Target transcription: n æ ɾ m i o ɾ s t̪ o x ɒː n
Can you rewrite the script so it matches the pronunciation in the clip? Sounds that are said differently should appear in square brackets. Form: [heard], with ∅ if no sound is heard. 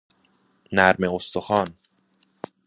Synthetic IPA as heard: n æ ɾ m [e] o [∅] s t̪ o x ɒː n